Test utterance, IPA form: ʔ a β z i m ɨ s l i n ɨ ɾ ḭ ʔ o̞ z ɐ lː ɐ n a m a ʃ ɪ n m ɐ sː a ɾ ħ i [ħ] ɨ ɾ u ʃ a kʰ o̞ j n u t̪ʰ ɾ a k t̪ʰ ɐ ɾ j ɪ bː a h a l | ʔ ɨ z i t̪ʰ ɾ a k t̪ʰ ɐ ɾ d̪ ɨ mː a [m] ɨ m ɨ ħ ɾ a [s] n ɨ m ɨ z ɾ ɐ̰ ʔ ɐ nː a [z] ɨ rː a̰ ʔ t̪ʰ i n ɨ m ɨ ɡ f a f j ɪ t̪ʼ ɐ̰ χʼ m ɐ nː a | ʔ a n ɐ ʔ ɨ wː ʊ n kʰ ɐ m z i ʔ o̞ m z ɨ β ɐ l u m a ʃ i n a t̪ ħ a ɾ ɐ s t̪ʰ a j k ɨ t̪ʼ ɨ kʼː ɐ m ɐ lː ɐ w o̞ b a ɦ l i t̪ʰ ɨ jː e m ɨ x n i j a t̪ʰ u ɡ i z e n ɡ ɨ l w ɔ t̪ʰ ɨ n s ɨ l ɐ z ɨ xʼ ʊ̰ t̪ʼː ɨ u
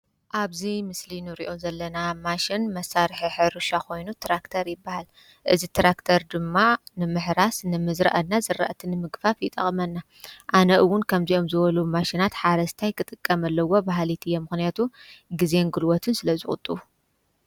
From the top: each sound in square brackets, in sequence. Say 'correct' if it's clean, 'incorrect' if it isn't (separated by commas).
correct, incorrect, correct, correct